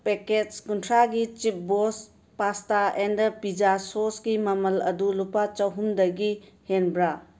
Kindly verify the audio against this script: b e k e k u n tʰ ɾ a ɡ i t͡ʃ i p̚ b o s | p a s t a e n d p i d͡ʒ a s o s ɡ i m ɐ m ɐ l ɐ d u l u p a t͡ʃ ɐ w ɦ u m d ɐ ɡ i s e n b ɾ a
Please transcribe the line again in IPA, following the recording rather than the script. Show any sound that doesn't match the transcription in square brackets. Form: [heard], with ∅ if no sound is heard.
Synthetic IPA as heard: [p] e k e k u n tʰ ɾ a ɡ i t͡ʃ i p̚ b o s | p a s t a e n d p i d͡ʒ a s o s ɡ i m ɐ m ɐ l ɐ d u l u p a t͡ʃ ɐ w ɦ u m d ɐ ɡ i [h] e n b ɾ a